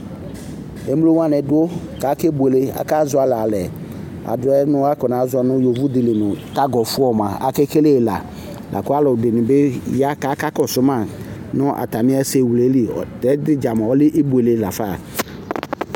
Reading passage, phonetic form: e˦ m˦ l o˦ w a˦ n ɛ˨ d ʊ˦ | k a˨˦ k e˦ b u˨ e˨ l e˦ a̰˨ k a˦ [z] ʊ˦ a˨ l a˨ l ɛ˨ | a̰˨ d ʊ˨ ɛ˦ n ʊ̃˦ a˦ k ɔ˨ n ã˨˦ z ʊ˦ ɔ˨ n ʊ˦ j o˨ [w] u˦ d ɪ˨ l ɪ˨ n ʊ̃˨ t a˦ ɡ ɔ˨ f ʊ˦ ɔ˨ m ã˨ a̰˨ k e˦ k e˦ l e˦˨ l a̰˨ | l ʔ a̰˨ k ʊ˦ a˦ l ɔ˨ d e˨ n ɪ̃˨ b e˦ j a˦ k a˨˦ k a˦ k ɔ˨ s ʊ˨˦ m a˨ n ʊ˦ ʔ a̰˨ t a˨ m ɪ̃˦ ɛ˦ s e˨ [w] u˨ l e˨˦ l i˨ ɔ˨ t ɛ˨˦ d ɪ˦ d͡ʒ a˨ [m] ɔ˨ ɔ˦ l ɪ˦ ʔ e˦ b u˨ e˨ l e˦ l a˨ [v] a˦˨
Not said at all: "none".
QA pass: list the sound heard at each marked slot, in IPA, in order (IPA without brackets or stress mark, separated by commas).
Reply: z, v, w, m, f